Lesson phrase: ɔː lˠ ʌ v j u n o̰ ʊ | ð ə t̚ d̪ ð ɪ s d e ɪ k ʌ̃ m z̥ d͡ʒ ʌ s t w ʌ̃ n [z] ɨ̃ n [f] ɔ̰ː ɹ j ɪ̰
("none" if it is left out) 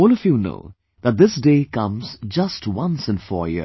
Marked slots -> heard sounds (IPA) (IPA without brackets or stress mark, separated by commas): s, f